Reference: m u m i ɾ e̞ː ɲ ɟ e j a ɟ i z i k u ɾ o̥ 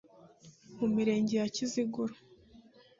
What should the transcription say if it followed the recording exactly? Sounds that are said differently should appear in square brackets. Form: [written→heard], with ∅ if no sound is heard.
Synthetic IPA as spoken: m u m i ɾ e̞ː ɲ ɟ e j a [ɟ→c] i z i [k→ɡ] u ɾ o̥